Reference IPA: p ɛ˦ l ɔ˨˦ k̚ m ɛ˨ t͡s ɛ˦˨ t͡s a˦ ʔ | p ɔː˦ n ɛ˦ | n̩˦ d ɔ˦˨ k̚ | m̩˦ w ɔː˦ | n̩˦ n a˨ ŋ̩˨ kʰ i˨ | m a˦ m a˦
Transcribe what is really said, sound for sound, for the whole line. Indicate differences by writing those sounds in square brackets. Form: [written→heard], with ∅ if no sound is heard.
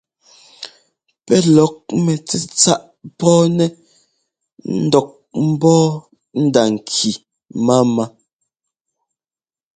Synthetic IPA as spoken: p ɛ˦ l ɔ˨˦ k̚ m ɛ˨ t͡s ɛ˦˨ t͡s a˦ ʔ | p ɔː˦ n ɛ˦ | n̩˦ d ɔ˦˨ k̚ | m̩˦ [w→b] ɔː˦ | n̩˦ [n→d] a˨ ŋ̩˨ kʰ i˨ | m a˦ m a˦

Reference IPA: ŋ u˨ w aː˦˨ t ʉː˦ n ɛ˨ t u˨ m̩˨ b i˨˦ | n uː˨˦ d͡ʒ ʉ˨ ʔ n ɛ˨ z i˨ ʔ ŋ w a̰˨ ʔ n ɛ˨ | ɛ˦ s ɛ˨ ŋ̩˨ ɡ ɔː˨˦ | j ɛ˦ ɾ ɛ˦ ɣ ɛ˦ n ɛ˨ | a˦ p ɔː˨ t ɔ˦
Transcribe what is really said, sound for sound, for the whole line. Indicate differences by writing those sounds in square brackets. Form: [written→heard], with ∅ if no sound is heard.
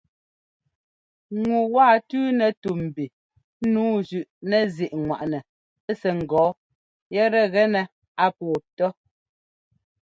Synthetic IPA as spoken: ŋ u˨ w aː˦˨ t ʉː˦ n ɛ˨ t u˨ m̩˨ b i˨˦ | n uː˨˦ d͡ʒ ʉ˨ ʔ n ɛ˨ z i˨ ʔ ŋ w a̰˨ ʔ n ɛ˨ | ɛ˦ s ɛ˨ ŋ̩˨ ɡ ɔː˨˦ | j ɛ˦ ɾ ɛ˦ ɣ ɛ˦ n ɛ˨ | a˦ p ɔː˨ t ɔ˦

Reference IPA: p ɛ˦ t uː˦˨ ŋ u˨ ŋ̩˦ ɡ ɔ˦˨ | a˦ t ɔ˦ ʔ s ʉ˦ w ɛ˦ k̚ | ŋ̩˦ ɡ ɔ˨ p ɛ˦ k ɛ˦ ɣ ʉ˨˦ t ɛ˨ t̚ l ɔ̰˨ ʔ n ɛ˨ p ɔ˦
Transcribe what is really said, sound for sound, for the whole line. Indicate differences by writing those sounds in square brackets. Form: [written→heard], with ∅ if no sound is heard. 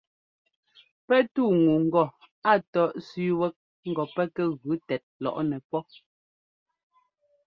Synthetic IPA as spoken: p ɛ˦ t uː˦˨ ŋ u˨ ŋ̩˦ ɡ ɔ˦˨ | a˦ t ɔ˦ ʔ s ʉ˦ w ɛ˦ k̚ | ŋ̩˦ ɡ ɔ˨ p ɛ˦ k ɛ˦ ɣ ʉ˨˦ t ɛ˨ t̚ l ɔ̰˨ ʔ n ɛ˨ p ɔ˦

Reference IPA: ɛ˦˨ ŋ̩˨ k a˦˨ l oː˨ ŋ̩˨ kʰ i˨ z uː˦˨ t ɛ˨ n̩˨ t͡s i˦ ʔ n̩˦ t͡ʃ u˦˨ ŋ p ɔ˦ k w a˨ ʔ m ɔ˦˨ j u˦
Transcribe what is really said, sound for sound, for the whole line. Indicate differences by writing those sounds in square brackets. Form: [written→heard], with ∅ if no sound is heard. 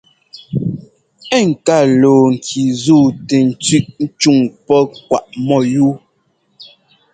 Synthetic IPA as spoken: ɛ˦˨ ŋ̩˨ k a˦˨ l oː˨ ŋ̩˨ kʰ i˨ z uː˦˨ t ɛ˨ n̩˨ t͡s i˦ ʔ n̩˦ t͡ʃ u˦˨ ŋ p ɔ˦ k w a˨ ʔ m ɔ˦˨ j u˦

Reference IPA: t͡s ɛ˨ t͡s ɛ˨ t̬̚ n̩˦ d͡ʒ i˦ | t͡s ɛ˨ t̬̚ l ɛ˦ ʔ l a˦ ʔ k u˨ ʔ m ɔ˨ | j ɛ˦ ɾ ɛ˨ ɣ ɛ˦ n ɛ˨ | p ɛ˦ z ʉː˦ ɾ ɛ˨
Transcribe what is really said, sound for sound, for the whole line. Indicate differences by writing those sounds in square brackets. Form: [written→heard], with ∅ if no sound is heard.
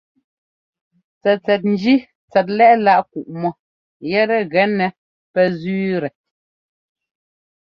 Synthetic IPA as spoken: t͡s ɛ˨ t͡s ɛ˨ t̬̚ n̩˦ d͡ʒ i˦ | t͡s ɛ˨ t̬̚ l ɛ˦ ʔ l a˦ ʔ k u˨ ʔ m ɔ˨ | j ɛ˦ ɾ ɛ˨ ɣ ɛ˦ n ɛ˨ | p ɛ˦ z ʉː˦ ɾ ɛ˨

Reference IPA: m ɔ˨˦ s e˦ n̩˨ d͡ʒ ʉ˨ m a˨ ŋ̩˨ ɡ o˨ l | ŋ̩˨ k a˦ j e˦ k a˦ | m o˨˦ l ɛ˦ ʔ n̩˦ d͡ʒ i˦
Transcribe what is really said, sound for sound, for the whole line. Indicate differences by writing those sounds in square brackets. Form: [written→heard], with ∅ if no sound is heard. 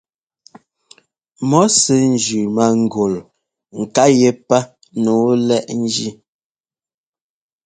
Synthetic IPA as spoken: m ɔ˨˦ s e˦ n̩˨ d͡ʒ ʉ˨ m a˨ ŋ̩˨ ɡ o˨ l | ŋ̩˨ k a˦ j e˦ [k→p] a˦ | [m→n] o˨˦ l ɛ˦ ʔ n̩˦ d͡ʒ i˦

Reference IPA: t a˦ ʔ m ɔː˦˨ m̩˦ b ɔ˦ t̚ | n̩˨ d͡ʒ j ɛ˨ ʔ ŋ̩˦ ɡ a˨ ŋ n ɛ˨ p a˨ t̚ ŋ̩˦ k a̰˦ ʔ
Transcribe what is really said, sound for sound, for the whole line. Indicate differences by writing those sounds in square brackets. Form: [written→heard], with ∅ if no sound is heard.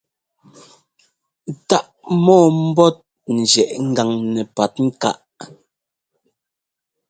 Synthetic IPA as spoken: t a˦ ʔ m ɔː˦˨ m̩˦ b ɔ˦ t̚ | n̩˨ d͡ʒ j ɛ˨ ʔ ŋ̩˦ ɡ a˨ ŋ n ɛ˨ p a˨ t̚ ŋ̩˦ k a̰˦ ʔ

